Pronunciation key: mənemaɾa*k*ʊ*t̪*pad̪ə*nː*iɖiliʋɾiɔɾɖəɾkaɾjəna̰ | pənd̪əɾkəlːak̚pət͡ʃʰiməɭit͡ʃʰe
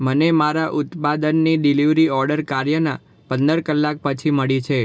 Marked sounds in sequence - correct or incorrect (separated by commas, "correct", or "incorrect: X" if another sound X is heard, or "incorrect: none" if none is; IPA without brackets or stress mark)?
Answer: incorrect: ʔ, correct, correct